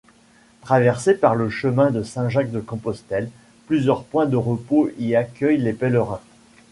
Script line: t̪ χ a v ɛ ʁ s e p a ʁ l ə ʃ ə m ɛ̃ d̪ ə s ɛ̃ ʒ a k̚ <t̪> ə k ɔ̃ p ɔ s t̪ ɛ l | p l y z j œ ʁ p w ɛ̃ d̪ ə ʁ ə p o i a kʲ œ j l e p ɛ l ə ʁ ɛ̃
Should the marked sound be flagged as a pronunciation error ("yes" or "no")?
yes